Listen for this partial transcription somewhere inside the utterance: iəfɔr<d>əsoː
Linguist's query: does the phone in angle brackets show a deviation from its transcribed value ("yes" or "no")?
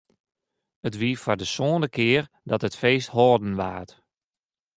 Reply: no